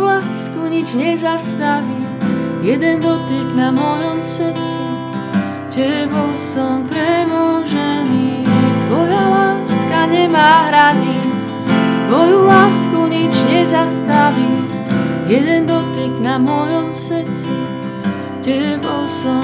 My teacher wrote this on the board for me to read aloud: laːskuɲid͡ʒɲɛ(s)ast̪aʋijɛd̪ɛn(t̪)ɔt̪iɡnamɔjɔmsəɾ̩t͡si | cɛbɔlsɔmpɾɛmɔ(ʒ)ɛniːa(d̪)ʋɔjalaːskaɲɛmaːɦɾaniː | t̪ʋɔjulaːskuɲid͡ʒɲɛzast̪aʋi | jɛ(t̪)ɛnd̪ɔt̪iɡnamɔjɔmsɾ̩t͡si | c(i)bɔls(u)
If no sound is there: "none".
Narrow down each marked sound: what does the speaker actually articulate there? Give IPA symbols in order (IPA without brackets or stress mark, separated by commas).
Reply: z, d̪, ʒ, t̪, d̪, ɛ, ɔ